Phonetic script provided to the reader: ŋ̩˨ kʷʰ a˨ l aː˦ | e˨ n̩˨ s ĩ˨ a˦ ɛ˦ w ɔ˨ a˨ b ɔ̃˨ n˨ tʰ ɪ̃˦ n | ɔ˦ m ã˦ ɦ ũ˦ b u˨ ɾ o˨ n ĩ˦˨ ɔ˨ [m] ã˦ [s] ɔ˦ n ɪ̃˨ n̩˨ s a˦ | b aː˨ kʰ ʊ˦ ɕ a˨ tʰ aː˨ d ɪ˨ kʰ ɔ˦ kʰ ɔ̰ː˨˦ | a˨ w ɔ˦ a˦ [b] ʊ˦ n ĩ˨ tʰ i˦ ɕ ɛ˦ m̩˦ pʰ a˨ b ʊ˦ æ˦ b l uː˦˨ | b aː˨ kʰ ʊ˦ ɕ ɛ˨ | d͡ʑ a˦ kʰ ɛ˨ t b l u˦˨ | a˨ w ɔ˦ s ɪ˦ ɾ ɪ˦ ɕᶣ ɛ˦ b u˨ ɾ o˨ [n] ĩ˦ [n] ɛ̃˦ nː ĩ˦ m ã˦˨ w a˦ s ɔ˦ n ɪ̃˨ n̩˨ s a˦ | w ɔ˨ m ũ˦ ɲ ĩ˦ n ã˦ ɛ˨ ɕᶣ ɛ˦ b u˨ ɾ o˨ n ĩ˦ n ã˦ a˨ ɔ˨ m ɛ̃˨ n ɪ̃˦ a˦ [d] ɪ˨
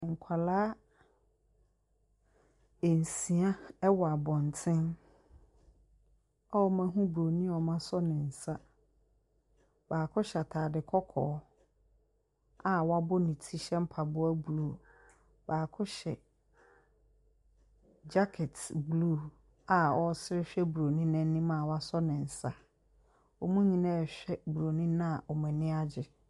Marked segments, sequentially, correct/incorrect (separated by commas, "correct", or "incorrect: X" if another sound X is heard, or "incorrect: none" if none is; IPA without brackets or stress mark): correct, correct, correct, correct, correct, incorrect: d͡ʑ